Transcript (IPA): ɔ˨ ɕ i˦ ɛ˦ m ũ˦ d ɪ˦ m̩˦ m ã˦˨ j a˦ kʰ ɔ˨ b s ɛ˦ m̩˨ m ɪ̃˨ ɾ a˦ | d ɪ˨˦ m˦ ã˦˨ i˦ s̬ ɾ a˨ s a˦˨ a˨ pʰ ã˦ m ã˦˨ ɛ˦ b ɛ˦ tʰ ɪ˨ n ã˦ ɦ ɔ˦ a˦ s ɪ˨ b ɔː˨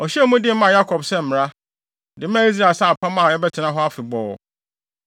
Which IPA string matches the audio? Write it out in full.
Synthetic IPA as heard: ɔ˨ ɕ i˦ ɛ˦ m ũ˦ d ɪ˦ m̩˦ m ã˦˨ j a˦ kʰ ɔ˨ b s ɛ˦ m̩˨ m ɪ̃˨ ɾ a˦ | d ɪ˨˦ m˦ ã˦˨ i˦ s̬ ɾ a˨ s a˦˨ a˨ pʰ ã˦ m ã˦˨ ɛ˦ b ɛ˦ tʰ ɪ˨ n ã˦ ɦ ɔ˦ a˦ f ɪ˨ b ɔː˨